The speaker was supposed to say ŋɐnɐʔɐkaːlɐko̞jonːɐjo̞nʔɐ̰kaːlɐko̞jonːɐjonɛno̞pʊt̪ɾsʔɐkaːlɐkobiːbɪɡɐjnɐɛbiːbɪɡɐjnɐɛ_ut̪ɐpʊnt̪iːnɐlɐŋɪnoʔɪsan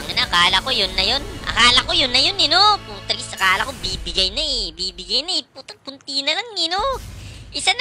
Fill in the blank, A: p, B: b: A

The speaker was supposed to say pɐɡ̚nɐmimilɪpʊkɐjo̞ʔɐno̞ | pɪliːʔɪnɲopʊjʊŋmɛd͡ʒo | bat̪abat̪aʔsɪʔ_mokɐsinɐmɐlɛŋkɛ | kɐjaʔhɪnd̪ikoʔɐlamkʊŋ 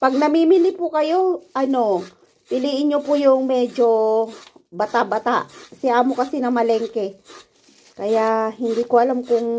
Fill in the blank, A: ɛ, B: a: B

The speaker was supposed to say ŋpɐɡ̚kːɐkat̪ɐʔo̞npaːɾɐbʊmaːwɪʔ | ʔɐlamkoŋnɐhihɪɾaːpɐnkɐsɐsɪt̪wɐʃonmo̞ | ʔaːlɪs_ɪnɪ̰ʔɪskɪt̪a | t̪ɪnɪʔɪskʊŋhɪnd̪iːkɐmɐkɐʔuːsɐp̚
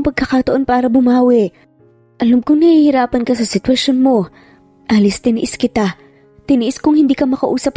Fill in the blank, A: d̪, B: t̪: B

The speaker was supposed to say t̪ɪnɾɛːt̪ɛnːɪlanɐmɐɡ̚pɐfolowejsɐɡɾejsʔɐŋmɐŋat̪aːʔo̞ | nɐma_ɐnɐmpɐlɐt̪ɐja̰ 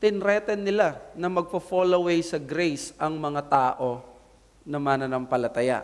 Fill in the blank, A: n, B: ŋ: A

